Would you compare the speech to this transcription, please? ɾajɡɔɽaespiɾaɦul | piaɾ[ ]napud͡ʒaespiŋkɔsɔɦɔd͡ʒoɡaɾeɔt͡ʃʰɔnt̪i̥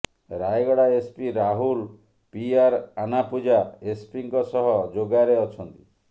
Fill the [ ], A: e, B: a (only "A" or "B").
B